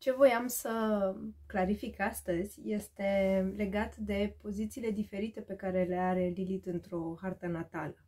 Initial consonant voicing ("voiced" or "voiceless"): voiceless